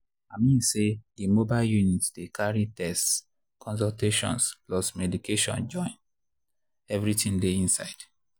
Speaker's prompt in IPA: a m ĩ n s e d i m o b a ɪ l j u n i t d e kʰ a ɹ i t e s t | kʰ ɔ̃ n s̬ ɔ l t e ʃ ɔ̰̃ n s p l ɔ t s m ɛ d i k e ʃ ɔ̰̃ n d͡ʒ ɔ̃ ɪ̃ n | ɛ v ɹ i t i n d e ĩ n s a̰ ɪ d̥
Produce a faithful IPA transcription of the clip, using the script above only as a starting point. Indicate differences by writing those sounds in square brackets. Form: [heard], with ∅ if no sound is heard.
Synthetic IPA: a m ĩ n s e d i m o b a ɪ l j u n i t d e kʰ a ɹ i t [ɛ] s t | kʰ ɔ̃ n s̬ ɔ l t e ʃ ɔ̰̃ n s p l ɔ [∅] s m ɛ d i k e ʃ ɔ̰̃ n d͡ʒ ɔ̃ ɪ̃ n | ɛ v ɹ i t [ĩ] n d e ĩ n s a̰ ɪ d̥